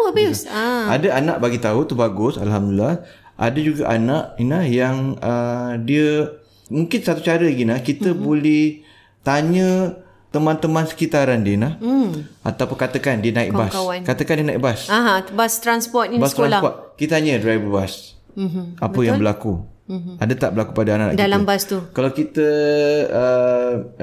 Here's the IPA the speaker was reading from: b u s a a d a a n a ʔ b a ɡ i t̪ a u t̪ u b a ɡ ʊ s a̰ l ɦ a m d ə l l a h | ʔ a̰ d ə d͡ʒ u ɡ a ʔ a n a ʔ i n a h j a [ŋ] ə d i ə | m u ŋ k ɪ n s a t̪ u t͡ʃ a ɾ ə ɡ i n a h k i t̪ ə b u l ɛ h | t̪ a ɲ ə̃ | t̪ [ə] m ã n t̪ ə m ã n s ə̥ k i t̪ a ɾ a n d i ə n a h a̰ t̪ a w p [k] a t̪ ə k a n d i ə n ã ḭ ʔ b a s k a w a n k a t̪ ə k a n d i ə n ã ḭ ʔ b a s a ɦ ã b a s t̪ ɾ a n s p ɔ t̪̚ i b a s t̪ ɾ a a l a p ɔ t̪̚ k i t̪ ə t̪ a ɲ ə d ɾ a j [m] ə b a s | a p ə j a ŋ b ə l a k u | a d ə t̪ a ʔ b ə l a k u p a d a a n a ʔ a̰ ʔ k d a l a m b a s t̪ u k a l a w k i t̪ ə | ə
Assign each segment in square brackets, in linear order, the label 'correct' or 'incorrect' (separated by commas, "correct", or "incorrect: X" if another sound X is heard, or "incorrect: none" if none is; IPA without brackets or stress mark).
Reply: correct, correct, correct, incorrect: b